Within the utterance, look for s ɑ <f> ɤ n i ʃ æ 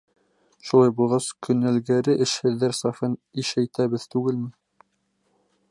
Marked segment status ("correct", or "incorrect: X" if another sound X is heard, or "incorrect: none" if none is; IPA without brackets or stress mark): correct